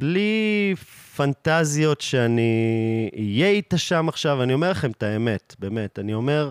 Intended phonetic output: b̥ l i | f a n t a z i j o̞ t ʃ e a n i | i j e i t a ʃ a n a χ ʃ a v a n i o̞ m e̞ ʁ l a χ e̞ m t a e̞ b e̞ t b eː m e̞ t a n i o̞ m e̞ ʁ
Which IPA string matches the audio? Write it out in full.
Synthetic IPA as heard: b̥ l i | f a n t a z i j o̞ t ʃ e a n i | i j e i t a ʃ a m a χ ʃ a v a n i o̞ m e̞ ʁ l a χ e̞ m t a e̞ m e̞ t b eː m e̞ t a n i o̞ m e̞ ʁ